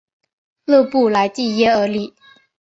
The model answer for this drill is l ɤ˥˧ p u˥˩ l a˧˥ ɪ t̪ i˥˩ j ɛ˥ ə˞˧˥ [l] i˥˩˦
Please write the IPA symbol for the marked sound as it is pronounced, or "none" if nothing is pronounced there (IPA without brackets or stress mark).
l